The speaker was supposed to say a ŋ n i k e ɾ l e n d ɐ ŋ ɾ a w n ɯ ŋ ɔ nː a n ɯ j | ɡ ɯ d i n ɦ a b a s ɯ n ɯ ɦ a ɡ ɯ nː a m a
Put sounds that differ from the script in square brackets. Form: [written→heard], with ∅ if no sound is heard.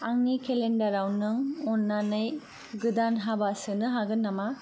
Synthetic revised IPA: a ŋ n i k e [ɾ→∅] l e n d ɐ [ŋ→∅] ɾ a w n ɯ ŋ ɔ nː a n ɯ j | ɡ ɯ d [i→a] n ɦ a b a s ɯ n ɯ ɦ a ɡ ɯ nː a m a